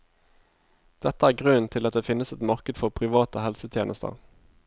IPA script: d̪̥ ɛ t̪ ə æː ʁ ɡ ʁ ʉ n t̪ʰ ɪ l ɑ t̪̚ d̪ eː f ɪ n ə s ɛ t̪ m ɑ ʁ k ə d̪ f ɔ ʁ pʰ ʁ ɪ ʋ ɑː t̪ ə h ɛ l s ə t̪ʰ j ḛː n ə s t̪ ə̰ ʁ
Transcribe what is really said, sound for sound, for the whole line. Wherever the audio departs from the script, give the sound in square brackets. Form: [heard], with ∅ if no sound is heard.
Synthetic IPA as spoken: d̪̥ ɛ t̪ ə æː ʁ ɡ ʁ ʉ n t̪ʰ ɪ l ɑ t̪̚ d̪ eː f ɪ n ə s ɛ t̪ m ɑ ʁ k ə d̪ f ɔ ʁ pʰ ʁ ɪ ʋ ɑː t̪ ə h ɛ l s ə t̪ʰ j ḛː n ə s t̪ ə̰ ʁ